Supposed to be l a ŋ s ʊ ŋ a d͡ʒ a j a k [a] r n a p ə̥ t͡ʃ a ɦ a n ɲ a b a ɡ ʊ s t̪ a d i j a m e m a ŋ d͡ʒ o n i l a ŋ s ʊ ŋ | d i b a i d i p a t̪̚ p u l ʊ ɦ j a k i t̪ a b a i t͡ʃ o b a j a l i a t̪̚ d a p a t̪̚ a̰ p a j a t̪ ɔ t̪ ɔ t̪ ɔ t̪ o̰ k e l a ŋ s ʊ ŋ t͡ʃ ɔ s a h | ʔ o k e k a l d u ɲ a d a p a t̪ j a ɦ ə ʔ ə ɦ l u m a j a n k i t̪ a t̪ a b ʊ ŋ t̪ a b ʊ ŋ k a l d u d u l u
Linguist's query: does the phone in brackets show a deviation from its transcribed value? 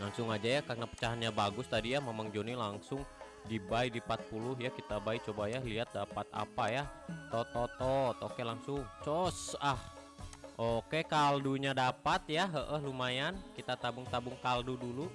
no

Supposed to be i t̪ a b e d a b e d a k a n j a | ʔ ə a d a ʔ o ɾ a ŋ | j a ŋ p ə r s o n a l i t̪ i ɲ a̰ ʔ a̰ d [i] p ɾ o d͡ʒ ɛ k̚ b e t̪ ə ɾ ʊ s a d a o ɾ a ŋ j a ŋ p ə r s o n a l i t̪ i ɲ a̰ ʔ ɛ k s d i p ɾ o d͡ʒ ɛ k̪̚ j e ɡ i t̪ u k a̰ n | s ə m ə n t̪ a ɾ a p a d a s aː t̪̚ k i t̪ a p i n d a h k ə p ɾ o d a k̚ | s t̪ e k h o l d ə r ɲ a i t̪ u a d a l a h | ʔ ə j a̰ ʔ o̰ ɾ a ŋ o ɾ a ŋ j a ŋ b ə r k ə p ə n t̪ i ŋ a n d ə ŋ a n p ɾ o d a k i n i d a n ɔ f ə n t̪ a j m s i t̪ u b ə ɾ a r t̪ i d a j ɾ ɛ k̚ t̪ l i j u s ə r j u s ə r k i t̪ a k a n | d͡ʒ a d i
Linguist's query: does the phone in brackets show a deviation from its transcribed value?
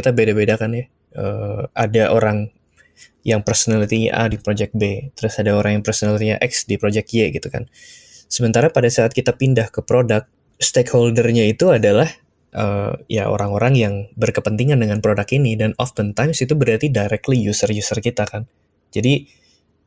no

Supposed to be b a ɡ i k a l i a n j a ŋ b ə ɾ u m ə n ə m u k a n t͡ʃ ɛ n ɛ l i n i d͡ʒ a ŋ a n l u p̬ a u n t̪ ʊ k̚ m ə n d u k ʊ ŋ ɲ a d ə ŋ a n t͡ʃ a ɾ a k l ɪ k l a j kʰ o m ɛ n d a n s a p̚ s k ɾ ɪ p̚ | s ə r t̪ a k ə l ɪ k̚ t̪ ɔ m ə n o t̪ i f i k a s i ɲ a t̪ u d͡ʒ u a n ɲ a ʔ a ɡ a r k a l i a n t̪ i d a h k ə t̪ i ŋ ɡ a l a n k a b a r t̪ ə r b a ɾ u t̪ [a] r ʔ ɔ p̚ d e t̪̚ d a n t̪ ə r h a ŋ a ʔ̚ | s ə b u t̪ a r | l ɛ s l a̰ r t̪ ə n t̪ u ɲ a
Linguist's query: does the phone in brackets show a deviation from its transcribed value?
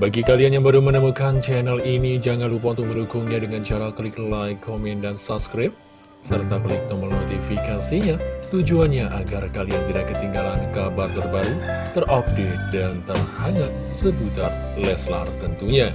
yes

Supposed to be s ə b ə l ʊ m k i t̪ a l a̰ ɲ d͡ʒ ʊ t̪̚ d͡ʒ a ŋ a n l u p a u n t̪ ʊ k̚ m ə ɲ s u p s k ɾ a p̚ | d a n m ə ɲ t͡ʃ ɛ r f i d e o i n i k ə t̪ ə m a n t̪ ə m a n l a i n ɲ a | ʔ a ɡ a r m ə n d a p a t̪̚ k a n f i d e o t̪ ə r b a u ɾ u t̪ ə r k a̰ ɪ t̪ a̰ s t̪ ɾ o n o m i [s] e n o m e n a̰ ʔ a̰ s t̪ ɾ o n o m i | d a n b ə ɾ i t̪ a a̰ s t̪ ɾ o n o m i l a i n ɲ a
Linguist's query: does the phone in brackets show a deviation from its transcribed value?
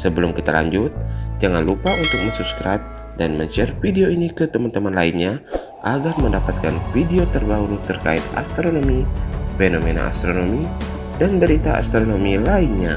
yes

